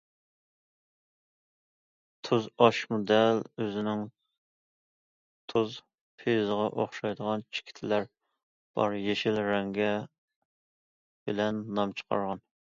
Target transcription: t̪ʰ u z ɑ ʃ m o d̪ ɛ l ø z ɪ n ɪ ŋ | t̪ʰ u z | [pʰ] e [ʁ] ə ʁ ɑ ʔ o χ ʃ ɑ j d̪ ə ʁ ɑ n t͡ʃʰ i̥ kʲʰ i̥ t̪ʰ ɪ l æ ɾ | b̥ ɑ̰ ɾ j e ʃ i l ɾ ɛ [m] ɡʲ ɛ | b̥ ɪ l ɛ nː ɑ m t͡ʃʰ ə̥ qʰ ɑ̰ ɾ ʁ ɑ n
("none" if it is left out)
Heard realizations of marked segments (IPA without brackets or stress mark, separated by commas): pʰ, z, ŋ